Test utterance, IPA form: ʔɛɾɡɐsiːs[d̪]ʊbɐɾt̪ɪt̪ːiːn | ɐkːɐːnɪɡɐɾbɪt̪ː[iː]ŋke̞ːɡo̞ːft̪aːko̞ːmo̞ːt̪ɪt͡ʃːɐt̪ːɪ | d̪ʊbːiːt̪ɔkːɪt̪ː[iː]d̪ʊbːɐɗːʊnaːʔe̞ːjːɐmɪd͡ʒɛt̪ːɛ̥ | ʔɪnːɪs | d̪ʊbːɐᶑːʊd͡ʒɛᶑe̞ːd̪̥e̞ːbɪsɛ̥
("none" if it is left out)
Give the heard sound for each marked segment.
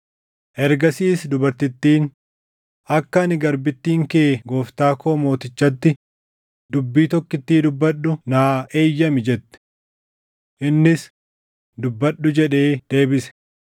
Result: d̪, iː, iː

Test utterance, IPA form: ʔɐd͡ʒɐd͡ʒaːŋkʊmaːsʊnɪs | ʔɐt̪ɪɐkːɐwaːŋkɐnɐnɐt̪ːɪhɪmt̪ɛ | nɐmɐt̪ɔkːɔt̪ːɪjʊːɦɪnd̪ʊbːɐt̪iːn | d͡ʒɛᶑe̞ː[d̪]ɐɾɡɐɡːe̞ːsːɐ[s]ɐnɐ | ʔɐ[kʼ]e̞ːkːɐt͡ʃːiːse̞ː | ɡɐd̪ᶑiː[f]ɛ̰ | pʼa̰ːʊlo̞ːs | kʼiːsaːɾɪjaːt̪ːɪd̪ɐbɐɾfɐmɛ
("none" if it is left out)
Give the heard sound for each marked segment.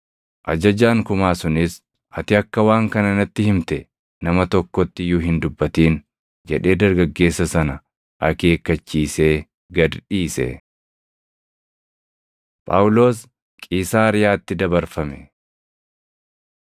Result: d̪, s, k, s

